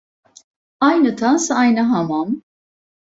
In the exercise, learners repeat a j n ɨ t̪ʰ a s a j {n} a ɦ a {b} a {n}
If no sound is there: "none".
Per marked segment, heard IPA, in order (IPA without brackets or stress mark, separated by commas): n, m, m